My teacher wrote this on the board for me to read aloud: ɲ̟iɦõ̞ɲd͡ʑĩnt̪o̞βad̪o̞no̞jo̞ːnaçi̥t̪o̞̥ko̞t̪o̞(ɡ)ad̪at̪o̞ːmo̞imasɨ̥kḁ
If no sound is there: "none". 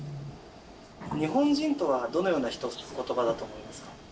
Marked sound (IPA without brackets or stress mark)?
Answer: b